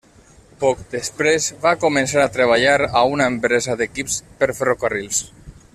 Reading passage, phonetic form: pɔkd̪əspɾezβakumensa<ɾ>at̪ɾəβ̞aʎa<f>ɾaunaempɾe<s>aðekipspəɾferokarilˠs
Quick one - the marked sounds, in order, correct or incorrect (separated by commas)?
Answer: correct, incorrect, incorrect